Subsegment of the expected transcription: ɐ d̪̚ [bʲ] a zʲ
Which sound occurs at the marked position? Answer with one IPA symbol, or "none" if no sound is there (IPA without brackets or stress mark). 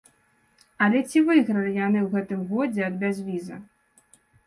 bʲ